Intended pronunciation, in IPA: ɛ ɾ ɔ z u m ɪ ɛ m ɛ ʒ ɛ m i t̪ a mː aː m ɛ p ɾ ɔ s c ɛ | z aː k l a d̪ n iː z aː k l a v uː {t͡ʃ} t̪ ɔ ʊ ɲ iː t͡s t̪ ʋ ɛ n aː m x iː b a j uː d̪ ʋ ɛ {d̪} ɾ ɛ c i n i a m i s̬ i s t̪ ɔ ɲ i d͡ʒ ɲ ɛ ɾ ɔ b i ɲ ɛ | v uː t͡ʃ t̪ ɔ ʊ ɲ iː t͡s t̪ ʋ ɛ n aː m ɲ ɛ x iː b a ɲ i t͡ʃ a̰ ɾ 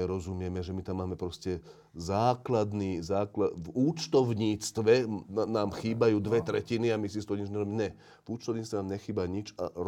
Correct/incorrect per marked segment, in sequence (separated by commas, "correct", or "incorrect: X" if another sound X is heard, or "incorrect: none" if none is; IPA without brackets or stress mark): correct, incorrect: t̪